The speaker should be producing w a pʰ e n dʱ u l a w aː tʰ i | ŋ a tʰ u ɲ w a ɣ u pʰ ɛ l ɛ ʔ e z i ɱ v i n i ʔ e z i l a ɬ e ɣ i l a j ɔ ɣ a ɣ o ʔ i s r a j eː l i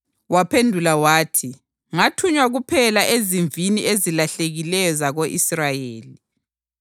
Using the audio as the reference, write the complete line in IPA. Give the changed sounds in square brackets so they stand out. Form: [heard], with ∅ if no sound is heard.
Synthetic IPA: w a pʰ e n dʱ u l a w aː tʰ i | ŋ a tʰ u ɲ w a ɣ u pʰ ɛ l [a] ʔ e z i ɱ v i n i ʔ e z i l a ɬ e ɣ i l [ɛ] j ɔ [z] a ɣ o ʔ i s r a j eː l i